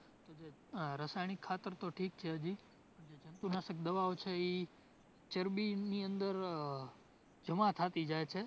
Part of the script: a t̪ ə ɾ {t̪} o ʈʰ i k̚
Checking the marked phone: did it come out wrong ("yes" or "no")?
no